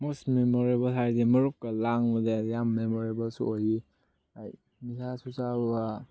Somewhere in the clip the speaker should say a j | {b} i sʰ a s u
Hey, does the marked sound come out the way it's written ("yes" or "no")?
no